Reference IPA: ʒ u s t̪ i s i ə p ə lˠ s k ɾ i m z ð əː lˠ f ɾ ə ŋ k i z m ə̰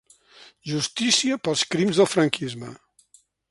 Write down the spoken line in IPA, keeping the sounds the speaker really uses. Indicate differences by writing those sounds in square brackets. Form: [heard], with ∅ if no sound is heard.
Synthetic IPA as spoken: ʒ u s t̪ i s i ə p ə lˠ s k ɾ i m z ð [ə] lˠ f ɾ ə ŋ k i z m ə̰